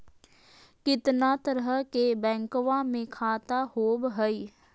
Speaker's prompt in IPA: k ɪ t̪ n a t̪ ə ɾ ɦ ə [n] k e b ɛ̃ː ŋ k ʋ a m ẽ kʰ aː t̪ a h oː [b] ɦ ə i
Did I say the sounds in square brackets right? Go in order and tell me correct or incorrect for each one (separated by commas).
incorrect, correct